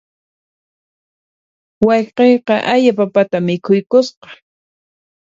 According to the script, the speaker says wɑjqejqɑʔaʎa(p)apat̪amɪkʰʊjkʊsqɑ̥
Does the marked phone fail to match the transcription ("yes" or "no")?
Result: no